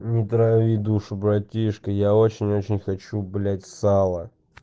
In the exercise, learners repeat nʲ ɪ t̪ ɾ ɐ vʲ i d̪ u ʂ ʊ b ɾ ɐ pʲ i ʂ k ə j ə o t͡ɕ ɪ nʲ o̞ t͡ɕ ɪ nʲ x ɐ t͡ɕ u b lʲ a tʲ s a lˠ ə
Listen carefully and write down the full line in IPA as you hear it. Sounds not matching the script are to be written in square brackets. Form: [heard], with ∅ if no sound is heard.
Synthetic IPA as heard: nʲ ɪ t̪ ɾ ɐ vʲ i d̪ u ʂ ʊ b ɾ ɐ [tʲ] i ʂ k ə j [a] o t͡ɕ ɪ nʲ o̞ t͡ɕ ɪ nʲ x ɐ t͡ɕ u b lʲ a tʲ s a lˠ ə